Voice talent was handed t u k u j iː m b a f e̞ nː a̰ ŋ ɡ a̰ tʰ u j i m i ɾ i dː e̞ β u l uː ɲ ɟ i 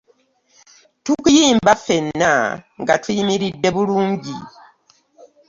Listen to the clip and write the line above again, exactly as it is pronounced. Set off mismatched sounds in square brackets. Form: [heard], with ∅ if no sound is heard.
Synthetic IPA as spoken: t u k u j iː m b a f e̞ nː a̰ ŋ ɡ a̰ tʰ u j i m i ɾ i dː e̞ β u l uː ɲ ɟ i